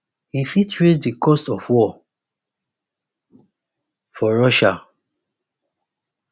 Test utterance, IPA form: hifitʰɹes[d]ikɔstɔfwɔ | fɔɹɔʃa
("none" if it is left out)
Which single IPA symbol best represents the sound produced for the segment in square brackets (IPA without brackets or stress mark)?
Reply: d